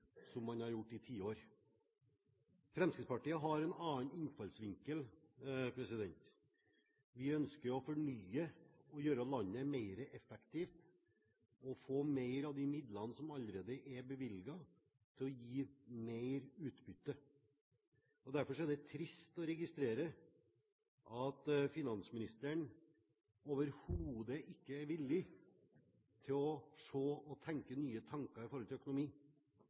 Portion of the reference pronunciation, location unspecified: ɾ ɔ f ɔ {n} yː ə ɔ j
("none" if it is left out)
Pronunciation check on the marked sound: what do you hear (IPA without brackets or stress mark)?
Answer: ɳ